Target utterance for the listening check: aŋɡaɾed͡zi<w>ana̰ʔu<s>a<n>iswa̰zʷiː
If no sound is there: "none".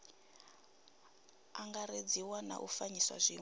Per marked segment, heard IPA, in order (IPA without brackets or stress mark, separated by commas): w, f, ɲ